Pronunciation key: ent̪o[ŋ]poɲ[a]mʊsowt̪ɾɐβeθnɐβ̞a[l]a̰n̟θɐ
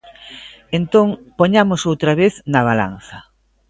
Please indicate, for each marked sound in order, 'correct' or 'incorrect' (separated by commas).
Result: correct, correct, correct